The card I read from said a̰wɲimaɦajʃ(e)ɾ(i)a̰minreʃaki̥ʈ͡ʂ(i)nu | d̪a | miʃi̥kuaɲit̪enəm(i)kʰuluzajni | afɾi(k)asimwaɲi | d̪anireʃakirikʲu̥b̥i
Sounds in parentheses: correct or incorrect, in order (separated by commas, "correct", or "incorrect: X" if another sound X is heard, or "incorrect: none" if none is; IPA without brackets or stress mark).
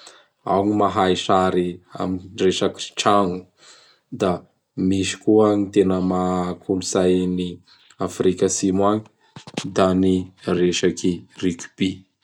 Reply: incorrect: a, correct, incorrect: a, incorrect: a, correct